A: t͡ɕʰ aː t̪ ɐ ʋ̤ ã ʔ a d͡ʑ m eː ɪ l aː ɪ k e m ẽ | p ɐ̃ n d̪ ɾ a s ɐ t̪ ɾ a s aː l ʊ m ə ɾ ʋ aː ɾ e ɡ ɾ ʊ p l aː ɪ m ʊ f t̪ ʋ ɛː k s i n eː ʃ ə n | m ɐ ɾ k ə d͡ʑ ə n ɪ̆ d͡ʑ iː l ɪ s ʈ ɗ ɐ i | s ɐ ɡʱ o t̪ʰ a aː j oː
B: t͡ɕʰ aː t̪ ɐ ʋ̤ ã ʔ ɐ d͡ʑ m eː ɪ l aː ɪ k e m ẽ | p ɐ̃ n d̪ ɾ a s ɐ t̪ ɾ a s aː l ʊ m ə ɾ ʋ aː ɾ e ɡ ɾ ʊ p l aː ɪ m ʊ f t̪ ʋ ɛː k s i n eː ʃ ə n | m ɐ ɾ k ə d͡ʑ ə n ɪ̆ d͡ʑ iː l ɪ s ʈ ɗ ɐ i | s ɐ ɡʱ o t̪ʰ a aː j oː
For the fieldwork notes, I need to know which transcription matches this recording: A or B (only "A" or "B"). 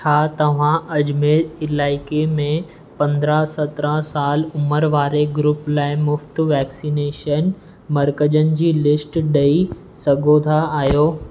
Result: B